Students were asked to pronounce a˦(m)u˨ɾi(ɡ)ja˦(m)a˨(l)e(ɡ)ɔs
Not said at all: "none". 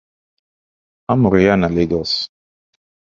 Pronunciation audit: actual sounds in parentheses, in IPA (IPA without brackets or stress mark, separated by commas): m, none, n, l, ɡ